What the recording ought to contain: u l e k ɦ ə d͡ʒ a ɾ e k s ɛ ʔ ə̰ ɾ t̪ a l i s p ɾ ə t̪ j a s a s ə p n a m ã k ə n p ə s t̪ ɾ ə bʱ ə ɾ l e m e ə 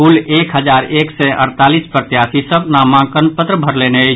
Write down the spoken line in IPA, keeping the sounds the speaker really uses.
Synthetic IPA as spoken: u l e k ɦ ə d͡ʒ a ɾ e k s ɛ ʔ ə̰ ɾ t̪ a l i s p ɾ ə t̪ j a s i s ə b n a m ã k ə n p ə t̪ ɾ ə bʱ ə ɾ l e n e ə